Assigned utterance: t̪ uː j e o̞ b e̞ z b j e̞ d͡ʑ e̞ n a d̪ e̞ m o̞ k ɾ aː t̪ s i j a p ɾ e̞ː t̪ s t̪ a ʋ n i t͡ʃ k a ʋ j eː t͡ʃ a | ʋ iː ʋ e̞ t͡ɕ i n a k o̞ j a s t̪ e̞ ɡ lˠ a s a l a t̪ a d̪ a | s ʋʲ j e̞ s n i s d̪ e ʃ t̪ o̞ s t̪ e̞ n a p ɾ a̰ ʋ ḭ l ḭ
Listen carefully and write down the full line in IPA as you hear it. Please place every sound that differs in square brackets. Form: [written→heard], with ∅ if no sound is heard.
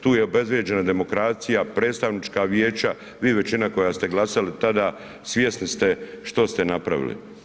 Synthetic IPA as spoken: t̪ uː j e o̞ b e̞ z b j e̞ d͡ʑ e̞ n a d̪ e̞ m o̞ k ɾ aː t̪ s i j a p ɾ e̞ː t̪ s t̪ a ʋ n i t͡ʃ k a ʋ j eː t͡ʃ a | ʋ iː ʋ e̞ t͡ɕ i n a k o̞ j a s t̪ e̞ ɡ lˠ a s a l [a→i] t̪ a d̪ a | s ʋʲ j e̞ s n i s [d̪→t̪] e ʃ t̪ o̞ s t̪ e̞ n a p ɾ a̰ ʋ ḭ l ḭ